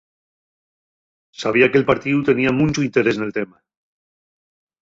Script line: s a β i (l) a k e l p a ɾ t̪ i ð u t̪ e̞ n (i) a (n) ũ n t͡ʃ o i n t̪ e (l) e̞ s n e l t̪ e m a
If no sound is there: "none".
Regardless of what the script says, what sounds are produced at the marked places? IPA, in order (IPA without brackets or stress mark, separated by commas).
none, i, m, ɾ